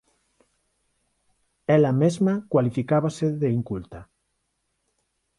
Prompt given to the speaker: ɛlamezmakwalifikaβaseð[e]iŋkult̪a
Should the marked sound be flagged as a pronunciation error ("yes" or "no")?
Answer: no